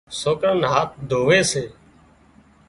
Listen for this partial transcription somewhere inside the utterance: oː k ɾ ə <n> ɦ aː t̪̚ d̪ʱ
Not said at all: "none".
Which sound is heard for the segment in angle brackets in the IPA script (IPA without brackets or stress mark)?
n